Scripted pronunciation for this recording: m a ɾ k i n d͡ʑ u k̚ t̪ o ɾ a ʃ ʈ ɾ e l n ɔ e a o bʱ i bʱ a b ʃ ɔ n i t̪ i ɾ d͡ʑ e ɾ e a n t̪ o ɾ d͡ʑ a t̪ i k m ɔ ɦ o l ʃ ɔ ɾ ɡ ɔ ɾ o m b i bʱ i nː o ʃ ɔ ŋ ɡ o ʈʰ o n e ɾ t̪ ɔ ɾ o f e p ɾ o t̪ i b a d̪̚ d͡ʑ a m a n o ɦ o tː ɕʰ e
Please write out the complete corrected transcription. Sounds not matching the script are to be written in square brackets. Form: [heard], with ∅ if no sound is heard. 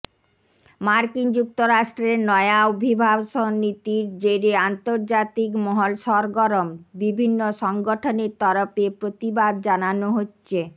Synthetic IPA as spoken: m a ɾ k i n d͡ʑ u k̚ t̪ o ɾ a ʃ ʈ ɾ e [ɾ] n ɔ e a o bʱ i bʱ a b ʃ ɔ n i t̪ i ɾ d͡ʑ e ɾ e a n t̪ o ɾ d͡ʑ a t̪ i k m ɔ ɦ o l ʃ ɔ ɾ ɡ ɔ ɾ o m b i bʱ i nː o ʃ ɔ ŋ ɡ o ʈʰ o n e ɾ t̪ ɔ ɾ o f e p ɾ o t̪ i b a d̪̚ d͡ʑ a [n] a n o ɦ o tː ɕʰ e

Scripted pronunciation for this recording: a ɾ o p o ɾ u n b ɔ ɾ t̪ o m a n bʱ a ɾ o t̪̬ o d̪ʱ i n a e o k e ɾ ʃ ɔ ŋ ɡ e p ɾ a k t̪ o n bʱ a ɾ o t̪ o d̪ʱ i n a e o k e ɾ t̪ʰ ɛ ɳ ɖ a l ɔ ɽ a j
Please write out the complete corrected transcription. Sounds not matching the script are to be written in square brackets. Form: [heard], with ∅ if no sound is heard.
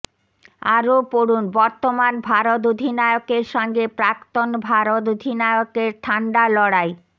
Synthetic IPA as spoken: a ɾ o p o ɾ u n b ɔ ɾ t̪ o m a n bʱ a ɾ o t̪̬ o d̪ʱ i n a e o k e ɾ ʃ ɔ ŋ ɡ e p ɾ a k t̪ o n bʱ a ɾ o t̪ o d̪ʱ i n a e o k e ɾ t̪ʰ [a] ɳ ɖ a l ɔ ɽ a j

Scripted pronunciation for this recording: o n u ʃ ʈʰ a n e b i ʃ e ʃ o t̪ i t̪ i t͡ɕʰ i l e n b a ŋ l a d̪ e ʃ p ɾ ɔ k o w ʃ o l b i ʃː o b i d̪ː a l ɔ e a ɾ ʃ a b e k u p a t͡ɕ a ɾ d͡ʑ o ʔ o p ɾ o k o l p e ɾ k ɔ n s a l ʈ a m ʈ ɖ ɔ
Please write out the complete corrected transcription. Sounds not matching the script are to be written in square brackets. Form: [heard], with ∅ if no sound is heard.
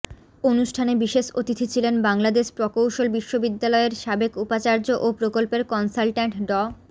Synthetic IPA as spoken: o n u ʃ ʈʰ a n e b i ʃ e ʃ o t̪ i [t̪ʰ] i t͡ɕʰ i l e n b a ŋ l a d̪ e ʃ p ɾ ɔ k o w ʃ o l b i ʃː o b i d̪ː a l ɔ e [e] ɾ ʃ a b e k u p a t͡ɕ a ɾ d͡ʑ o ʔ o p ɾ o k o l p e ɾ k ɔ n s a l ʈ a [ɳ] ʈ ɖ ɔ

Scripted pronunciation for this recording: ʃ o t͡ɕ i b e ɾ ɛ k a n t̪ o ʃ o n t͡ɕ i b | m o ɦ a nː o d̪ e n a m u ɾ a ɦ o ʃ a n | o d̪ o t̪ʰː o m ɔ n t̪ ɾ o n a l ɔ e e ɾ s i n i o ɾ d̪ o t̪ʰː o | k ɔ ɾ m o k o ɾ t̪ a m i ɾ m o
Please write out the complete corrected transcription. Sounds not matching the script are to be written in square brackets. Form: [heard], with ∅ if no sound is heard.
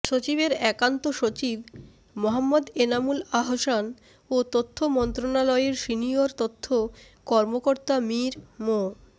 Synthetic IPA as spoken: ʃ o t͡ɕ i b e ɾ ɛ k a n t̪ o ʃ o [∅] t͡ɕ i b | m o ɦ a [mː] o d̪ e n a m u [l] a ɦ o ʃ a n | o [t̪] o t̪ʰː o m ɔ n t̪ ɾ o n a l ɔ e e ɾ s i n i o ɾ [t̪] o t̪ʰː o | k ɔ ɾ m o k o ɾ t̪ a m i ɾ m o

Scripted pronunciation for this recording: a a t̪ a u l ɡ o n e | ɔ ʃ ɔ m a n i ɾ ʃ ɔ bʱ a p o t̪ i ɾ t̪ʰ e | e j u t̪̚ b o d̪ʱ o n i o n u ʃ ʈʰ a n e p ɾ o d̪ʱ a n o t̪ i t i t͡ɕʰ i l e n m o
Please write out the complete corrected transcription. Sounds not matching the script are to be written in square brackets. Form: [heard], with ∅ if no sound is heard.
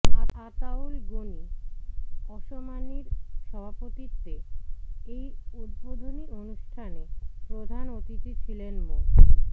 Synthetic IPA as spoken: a a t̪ a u l ɡ o n [i] | ɔ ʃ [o] m a n i ɾ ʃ ɔ bʱ a p o t̪ i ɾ [t̪] e | e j u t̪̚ b o d̪ʱ o n i o n u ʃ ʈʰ a n e p ɾ o d̪ʱ a n o t̪ i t i t͡ɕʰ i l e n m o

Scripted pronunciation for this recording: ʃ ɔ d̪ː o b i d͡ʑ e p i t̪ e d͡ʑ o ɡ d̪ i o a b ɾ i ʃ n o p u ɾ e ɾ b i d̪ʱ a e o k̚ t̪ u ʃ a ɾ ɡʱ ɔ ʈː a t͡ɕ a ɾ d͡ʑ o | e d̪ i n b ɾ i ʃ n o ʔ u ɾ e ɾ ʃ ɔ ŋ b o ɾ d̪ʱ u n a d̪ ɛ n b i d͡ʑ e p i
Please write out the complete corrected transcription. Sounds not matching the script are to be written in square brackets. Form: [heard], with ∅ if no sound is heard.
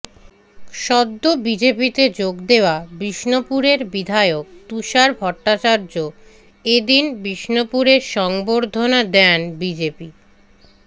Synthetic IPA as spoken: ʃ ɔ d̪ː o b i d͡ʑ e p i t̪ e d͡ʑ o ɡ d̪ [e] o a b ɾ i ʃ n o p u ɾ e ɾ b i d̪ʱ a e o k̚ t̪ u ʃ a ɾ [bʱ] ɔ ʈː a t͡ɕ a ɾ d͡ʑ o | e d̪ i n b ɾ i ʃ n o [p] u ɾ e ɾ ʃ ɔ ŋ b o ɾ d̪ʱ [o] n a d̪ ɛ n b i d͡ʑ e p i

